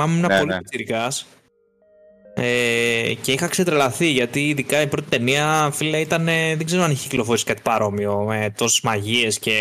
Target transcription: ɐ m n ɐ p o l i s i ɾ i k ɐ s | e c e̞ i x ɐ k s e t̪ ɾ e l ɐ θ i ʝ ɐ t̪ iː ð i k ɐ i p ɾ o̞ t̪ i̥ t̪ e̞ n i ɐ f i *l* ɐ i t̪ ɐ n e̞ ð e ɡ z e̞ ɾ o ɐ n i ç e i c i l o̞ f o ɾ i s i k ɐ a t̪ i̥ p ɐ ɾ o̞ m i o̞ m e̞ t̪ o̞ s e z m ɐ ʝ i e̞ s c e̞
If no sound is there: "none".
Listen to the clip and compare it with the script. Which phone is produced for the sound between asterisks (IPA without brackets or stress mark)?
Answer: l